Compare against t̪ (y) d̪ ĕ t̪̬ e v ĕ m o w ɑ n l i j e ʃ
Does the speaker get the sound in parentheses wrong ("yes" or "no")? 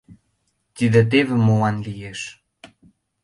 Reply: yes